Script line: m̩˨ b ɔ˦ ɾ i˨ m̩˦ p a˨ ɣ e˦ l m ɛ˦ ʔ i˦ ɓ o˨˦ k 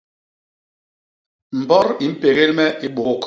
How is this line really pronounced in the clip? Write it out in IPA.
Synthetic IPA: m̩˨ b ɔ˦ ɾ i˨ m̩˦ p e˨ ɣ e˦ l m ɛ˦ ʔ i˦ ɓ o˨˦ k